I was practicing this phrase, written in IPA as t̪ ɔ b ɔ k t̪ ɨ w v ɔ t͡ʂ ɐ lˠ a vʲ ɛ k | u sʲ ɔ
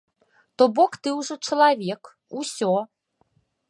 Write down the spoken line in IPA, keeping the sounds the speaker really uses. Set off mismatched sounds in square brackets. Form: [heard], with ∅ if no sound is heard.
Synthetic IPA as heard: t̪ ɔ b ɔ k t̪ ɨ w [ʐ] ɔ t͡ʂ ɐ lˠ a vʲ ɛ k | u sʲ ɔ